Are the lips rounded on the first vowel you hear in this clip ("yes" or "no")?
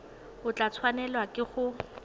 yes